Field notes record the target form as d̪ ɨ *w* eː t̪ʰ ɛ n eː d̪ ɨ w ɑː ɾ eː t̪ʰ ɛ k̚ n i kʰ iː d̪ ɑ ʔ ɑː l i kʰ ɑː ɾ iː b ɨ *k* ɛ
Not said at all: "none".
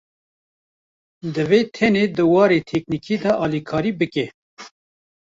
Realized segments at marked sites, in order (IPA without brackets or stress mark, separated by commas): v, k